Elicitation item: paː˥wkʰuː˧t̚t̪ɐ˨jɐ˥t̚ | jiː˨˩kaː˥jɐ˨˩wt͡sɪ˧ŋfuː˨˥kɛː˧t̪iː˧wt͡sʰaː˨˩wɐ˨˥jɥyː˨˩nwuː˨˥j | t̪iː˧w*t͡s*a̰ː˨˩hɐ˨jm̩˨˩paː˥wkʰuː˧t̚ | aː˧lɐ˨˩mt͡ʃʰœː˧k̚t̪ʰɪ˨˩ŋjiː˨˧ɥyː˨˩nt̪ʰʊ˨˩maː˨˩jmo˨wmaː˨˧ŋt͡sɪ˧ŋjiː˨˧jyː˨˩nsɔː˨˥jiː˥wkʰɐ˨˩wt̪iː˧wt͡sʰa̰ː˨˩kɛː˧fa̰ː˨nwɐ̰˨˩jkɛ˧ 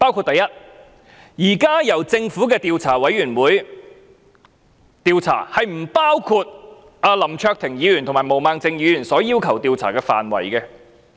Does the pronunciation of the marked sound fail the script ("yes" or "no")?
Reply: yes